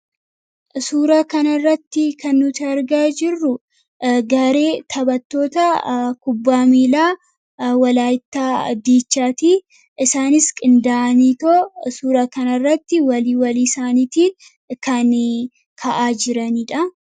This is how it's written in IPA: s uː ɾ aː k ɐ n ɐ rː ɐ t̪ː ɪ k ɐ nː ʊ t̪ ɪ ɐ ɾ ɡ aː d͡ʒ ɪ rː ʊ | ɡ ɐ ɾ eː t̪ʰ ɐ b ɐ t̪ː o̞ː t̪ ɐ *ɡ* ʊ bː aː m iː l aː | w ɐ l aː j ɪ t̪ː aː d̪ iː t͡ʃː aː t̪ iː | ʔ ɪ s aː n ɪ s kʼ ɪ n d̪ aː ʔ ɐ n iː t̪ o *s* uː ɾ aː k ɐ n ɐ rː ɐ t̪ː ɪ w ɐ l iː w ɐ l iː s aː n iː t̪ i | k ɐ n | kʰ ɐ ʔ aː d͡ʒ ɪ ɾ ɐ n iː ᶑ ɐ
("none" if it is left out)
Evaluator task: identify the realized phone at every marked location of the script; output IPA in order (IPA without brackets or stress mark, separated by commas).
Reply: k, s